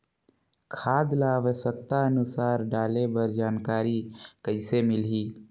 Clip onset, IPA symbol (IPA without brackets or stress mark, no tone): kʰ